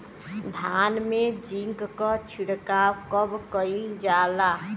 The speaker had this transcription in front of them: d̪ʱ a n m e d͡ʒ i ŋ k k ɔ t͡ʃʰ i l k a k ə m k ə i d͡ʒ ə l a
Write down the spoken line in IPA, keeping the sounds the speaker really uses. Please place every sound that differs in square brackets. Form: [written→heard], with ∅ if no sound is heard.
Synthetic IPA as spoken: d̪ʱ a n m e d͡ʒ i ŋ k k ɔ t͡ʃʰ i [l→ɽ] k a k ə [m→b] k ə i d͡ʒ [ə→a] l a